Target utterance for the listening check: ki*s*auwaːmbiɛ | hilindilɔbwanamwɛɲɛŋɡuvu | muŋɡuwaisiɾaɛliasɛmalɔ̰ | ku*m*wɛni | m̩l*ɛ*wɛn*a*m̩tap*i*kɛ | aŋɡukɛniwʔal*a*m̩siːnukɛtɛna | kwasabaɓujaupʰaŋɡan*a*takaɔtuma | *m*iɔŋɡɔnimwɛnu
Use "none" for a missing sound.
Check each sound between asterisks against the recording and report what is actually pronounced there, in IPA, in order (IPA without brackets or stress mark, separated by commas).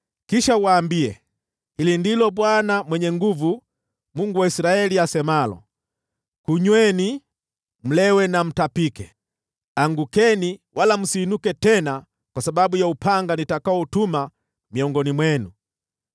ʃ, ɲ, ɛ, a, i, a, i, m